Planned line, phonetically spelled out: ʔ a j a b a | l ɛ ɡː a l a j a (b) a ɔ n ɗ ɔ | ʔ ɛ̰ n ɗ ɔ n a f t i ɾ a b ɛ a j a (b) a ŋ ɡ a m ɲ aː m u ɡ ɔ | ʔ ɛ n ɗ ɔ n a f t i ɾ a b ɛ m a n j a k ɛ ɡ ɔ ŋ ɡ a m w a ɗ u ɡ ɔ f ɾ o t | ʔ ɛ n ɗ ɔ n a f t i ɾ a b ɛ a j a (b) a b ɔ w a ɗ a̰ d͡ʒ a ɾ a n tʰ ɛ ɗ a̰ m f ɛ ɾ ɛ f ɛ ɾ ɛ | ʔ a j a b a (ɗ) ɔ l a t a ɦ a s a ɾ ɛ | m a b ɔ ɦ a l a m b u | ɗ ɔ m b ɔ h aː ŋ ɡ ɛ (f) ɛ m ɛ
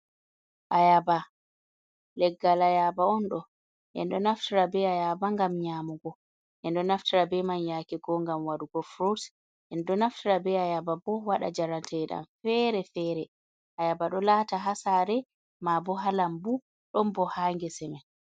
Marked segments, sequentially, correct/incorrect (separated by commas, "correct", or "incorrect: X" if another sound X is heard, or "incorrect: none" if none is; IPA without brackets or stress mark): correct, correct, correct, correct, incorrect: s